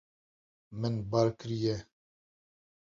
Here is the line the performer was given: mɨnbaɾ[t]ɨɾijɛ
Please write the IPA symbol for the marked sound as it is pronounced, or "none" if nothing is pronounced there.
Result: k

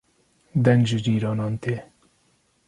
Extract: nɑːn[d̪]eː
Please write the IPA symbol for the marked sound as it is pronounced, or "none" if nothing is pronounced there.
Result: t̪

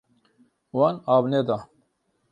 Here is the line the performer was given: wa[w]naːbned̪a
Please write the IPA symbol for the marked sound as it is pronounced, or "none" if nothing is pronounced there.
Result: none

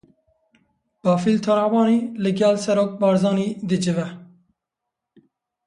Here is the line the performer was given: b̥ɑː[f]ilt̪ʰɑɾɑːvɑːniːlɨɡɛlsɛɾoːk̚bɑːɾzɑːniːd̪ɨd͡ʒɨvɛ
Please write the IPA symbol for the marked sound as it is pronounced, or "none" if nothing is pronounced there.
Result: f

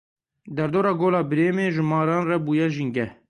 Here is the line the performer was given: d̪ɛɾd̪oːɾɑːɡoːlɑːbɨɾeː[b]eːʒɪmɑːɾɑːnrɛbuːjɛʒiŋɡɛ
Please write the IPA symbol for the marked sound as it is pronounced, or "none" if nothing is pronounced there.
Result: m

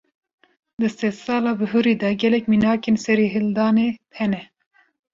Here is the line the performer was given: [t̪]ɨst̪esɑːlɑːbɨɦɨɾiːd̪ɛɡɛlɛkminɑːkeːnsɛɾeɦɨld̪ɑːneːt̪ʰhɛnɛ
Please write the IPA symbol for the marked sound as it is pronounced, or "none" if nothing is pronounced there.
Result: d̪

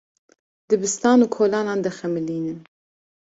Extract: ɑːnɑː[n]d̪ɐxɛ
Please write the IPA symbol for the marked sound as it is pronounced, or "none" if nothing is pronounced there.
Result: n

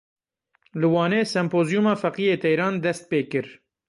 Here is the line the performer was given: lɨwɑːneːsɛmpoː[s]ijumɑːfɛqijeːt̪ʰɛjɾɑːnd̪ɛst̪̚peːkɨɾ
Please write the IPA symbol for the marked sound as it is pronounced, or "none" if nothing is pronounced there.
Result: z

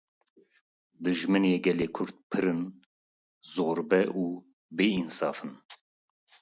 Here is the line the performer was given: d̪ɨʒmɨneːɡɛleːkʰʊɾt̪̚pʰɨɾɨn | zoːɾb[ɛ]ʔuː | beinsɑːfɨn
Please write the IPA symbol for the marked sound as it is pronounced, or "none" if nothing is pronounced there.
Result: ɛ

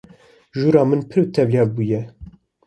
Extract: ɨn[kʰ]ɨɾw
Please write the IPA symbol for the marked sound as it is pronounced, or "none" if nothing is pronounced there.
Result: pʰ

